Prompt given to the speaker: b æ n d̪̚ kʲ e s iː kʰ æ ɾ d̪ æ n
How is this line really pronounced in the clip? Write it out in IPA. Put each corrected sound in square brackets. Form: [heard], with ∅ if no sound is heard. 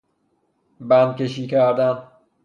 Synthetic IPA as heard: b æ n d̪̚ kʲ e [ʃ] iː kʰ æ ɾ d̪ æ n